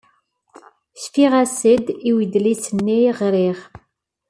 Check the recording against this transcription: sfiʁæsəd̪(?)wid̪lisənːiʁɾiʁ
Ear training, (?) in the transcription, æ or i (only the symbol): i